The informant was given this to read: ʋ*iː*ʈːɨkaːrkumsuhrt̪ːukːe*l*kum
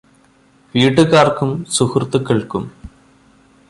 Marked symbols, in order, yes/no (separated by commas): yes, no